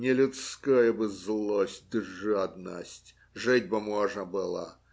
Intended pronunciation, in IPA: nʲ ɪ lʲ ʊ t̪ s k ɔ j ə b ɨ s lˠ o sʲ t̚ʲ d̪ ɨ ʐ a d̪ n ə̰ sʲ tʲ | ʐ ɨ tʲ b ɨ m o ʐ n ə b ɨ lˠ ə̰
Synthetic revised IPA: nʲ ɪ lʲ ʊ t̪ s k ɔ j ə b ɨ z lˠ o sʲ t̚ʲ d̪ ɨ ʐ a d̪ n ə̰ sʲ tʲ | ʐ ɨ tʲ b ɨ m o ʐ n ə b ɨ lˠ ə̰